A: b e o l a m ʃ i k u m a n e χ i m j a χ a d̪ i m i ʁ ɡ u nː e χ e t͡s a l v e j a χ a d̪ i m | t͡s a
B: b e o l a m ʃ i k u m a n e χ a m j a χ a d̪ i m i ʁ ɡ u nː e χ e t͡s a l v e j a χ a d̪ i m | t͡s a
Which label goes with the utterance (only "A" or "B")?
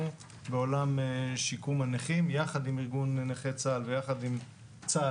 A